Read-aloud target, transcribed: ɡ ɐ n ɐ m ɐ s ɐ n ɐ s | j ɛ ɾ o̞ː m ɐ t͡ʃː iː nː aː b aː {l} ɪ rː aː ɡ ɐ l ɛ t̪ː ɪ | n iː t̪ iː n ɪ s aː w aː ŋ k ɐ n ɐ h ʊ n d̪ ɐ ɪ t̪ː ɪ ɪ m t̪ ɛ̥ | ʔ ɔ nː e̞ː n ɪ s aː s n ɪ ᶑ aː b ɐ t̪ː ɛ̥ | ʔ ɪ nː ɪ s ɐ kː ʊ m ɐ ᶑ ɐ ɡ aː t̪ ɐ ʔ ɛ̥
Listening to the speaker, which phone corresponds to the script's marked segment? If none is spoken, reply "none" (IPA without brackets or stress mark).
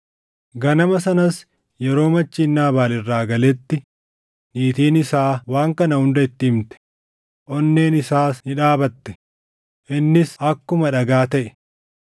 l